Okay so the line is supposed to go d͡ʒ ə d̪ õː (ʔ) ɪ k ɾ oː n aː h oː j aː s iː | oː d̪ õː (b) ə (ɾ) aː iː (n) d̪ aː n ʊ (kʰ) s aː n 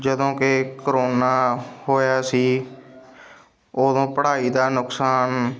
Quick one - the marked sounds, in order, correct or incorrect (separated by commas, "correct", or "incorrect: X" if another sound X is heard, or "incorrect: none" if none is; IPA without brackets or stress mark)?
incorrect: k, incorrect: p, incorrect: ɽ, incorrect: none, incorrect: k